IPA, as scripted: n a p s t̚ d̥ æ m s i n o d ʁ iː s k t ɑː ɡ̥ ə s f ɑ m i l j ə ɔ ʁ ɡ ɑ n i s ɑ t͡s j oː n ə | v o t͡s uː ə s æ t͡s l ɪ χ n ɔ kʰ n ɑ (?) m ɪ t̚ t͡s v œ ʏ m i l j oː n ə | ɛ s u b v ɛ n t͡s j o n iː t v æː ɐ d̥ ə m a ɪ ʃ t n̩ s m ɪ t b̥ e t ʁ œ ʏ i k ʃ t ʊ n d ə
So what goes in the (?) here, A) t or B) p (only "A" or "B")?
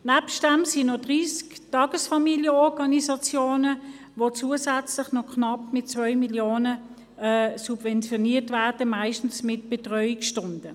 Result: B